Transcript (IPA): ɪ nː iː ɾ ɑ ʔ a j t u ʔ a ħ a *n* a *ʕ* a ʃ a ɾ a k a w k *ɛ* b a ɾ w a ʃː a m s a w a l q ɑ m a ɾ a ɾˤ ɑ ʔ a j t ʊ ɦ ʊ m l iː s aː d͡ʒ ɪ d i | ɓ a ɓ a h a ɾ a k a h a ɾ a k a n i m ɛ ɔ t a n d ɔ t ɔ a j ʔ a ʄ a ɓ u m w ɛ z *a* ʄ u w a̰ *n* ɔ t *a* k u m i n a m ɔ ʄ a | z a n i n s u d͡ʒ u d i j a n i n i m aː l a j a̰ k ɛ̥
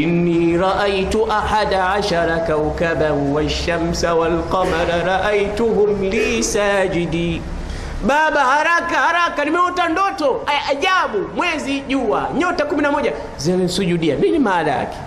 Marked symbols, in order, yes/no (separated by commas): no, yes, no, no, no, yes